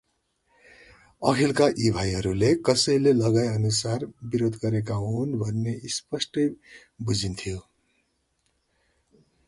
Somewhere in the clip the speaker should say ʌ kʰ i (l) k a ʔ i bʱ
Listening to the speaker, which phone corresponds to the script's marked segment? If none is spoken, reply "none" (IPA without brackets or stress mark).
l